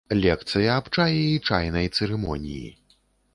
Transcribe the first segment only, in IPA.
lʲ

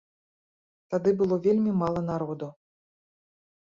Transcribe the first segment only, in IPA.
t̪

